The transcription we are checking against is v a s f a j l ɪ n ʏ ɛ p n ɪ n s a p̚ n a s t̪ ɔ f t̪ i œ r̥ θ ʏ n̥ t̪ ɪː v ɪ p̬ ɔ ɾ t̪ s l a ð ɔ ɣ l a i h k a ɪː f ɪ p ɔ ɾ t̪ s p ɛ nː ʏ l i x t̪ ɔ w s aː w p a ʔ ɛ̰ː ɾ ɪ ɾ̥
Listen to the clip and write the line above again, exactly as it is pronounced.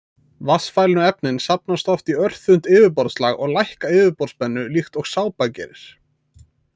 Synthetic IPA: v a s f a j l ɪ n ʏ ɛ p n ɪ n s a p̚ n a s t̪ ɔ f t̪ i œ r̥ θ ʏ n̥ t̪ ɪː v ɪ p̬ ɔ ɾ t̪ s l a ɣ ɔ ɣ l a j h k a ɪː v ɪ p ɔ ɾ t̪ s p ɛ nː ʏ l i x t̪ ɔ ɣ s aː w p a c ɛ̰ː ɾ ɪ ɾ̥